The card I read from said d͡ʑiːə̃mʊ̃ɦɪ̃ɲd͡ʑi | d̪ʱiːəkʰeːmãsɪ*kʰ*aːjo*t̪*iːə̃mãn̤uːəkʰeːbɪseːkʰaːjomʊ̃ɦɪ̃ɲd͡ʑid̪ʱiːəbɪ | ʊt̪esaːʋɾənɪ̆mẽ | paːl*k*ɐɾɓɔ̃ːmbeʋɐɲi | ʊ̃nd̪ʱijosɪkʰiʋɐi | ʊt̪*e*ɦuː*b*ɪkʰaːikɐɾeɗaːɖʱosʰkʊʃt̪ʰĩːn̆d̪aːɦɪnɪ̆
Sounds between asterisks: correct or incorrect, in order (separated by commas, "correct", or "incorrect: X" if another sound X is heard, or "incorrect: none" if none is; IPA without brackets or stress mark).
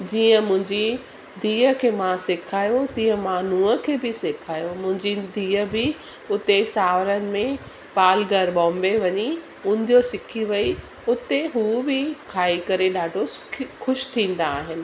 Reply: correct, correct, incorrect: ɡ, correct, correct